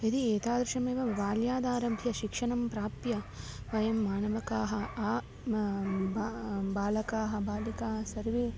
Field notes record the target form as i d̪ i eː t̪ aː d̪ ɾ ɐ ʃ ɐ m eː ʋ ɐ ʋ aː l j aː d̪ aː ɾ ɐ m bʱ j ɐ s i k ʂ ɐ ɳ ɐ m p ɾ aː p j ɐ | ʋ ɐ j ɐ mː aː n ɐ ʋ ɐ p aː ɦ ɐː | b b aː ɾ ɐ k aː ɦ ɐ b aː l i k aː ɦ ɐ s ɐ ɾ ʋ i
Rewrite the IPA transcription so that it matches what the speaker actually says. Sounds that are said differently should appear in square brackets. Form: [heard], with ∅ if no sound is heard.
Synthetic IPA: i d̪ i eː t̪ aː d̪ ɾ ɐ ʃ ɐ m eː ʋ ɐ ʋ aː l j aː d̪ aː ɾ ɐ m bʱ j ɐ [ʃ] i k ʂ ɐ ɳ ɐ m p ɾ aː p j ɐ | ʋ ɐ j ɐ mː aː n ɐ ʋ ɐ [k] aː ɦ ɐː | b b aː [l] ɐ k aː ɦ ɐ b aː l i k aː ɦ ɐ s ɐ ɾ ʋ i

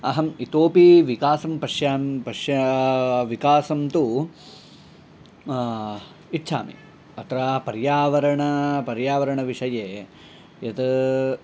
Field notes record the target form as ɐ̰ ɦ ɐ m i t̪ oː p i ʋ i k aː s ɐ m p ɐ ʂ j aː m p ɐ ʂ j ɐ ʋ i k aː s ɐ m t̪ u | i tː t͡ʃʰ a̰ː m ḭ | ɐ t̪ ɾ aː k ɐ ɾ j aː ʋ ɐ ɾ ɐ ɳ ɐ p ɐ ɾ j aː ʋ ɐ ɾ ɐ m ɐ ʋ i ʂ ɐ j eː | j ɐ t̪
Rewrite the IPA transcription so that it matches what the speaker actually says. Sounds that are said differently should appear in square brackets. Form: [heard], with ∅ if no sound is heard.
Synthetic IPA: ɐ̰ ɦ ɐ m i t̪ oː p i ʋ i k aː s ɐ m p ɐ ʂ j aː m p ɐ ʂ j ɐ ʋ i k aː s ɐ m t̪ u | i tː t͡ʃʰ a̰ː m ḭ | ɐ t̪ ɾ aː [p] ɐ ɾ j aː ʋ ɐ ɾ ɐ ɳ ɐ p ɐ ɾ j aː ʋ ɐ ɾ ɐ [ɳ] ɐ ʋ i ʂ ɐ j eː | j ɐ t̪

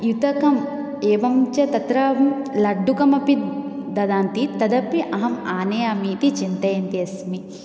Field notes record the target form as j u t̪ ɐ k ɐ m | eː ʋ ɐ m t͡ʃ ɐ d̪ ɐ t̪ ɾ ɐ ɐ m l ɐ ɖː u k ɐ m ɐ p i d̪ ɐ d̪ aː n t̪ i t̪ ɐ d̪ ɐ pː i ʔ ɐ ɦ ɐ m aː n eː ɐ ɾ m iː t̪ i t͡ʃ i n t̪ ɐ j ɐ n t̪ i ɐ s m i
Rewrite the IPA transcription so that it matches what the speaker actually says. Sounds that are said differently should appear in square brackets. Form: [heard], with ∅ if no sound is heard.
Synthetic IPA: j u t̪ ɐ k ɐ m | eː ʋ ɐ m t͡ʃ ɐ [t̪] ɐ t̪ ɾ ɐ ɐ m l ɐ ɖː u k ɐ m ɐ p i d̪ ɐ d̪ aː n t̪ i t̪ ɐ d̪ ɐ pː i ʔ ɐ ɦ ɐ m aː n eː ɐ [∅] m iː t̪ i t͡ʃ i n t̪ ɐ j ɐ n t̪ i ɐ s m i

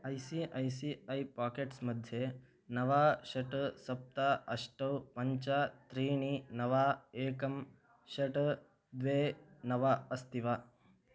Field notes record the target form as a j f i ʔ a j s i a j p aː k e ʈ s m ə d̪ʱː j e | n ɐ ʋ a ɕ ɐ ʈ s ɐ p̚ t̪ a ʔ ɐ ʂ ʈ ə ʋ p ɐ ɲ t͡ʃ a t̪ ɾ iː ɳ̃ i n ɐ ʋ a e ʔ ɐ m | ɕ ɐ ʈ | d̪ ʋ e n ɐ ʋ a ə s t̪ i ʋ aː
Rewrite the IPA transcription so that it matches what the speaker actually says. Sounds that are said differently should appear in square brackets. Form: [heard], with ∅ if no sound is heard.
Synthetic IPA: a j [s] i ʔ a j s i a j p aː k e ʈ s m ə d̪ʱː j e | n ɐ ʋ a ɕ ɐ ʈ s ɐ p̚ t̪ a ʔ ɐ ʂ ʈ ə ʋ p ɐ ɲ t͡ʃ a t̪ ɾ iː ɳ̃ i n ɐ ʋ a e [k] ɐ m | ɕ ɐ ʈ | d̪ ʋ e n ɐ ʋ a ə s t̪ i ʋ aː

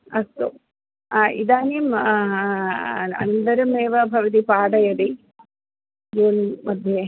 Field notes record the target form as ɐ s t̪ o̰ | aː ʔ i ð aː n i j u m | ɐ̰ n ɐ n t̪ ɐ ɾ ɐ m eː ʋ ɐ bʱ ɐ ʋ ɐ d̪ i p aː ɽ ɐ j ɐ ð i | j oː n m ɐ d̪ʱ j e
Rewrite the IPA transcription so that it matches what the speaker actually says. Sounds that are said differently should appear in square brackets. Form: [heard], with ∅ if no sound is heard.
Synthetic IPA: ɐ s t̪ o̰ | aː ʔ i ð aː n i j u m | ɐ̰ n ɐ n [d̪] ɐ ɾ ɐ m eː ʋ ɐ bʱ ɐ ʋ ɐ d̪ i p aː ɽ ɐ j ɐ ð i | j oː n m ɐ d̪ʱ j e

